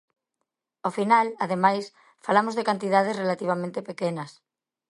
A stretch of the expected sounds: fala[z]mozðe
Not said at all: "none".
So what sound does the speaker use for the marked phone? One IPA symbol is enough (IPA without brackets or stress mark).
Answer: none